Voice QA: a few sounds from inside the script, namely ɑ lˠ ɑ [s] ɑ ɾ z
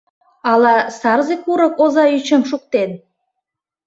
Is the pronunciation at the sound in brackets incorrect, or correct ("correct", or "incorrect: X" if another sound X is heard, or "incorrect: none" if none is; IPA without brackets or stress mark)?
correct